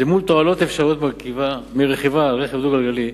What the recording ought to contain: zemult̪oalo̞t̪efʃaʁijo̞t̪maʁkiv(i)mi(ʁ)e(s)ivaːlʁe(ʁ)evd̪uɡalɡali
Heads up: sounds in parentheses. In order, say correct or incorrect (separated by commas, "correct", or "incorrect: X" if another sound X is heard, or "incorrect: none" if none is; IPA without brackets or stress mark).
incorrect: a, correct, incorrect: χ, incorrect: χ